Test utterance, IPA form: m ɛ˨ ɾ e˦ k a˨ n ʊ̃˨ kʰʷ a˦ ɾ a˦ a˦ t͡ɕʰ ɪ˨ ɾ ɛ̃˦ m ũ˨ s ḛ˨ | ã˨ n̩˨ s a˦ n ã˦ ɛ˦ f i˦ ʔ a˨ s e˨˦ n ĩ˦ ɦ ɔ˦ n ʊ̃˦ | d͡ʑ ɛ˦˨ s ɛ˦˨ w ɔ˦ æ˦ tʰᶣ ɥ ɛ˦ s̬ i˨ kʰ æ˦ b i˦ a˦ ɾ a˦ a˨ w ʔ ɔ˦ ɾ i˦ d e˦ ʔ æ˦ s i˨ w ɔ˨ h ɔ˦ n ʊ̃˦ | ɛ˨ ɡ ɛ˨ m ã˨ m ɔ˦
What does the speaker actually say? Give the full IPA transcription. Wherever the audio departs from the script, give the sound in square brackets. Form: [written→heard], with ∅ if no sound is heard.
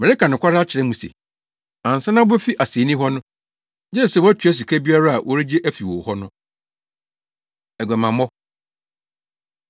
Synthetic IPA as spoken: m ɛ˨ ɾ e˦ k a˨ n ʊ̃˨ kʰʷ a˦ ɾ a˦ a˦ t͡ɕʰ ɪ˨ ɾ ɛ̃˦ m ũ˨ s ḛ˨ | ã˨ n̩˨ s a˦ n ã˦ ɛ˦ f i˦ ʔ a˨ s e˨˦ n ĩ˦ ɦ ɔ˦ n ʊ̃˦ | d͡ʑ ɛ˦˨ s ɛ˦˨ w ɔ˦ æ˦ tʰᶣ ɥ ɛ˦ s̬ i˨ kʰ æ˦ b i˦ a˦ ɾ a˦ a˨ w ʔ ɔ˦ ɾ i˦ [d→d͡ʑ] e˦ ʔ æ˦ [s→f] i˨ w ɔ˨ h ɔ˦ n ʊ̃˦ | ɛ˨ ɡ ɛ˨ m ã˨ m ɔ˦